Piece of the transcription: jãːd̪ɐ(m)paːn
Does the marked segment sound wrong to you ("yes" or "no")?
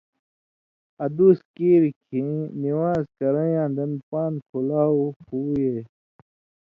yes